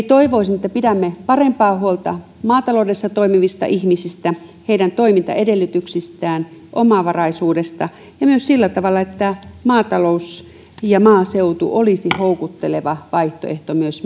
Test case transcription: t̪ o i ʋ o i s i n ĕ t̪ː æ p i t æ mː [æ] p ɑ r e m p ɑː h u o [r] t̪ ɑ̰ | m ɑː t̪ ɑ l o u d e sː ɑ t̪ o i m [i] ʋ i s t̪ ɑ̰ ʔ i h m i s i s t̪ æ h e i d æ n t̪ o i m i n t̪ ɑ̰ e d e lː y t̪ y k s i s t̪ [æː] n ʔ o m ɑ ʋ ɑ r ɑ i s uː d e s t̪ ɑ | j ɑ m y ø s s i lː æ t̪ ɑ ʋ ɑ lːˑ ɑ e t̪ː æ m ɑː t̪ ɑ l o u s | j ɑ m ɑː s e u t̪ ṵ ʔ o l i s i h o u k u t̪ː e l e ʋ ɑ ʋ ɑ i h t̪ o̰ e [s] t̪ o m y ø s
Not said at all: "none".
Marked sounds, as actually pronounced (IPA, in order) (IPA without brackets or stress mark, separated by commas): e, l, i, æː, h